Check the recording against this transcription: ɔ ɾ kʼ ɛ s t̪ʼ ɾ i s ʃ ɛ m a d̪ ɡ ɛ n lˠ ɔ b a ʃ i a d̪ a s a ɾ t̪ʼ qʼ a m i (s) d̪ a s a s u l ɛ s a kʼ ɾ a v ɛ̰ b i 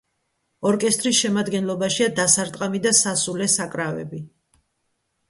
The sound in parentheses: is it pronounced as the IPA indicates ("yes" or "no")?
no